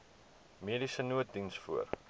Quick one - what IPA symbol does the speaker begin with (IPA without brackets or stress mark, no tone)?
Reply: m